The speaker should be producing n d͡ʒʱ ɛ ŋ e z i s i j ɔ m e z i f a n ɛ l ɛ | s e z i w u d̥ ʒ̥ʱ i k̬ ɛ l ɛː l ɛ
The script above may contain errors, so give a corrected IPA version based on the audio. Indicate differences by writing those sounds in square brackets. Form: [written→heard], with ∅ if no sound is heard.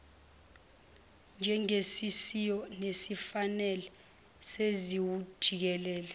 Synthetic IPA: n d͡ʒʱ ɛ ŋ e [z→s] i s i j ɔ [m→n] e [z→s] i f a n ɛ l ɛ | s e z i w u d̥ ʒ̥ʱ i k̬ ɛ l ɛː l ɛ